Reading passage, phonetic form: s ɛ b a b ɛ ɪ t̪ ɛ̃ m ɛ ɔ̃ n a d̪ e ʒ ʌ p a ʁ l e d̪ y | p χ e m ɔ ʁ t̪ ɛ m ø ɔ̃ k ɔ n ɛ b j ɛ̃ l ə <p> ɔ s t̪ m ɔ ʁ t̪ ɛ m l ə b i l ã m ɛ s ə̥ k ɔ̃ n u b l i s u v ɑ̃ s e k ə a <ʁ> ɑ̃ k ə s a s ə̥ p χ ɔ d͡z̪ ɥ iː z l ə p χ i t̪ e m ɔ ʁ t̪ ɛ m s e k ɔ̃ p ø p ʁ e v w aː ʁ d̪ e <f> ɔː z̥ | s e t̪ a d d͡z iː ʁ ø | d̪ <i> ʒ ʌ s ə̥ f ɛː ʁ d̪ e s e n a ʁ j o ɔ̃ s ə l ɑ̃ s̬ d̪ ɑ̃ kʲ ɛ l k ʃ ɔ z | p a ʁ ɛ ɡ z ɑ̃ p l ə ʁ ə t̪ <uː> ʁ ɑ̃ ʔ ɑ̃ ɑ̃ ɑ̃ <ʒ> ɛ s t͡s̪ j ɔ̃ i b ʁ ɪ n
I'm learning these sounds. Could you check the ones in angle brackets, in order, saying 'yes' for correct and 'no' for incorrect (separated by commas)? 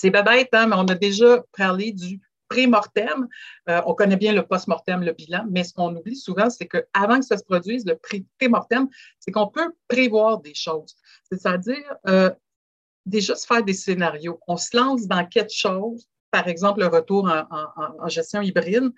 yes, no, no, no, yes, yes